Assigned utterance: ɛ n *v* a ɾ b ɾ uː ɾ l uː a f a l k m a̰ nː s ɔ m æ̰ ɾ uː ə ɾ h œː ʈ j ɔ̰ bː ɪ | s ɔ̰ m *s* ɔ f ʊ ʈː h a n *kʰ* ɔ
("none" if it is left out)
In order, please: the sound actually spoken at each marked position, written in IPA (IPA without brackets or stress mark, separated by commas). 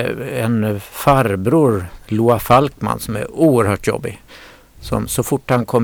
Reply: f, s, kʰ